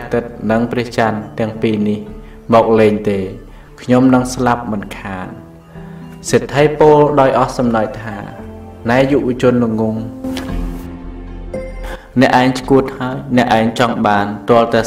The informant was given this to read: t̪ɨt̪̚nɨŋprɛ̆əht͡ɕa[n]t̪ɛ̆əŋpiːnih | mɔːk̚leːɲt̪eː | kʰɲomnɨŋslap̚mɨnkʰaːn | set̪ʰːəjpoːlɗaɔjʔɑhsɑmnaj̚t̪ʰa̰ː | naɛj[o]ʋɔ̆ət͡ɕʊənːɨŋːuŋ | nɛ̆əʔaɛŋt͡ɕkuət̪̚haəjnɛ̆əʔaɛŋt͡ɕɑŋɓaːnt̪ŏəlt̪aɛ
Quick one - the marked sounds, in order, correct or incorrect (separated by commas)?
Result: correct, incorrect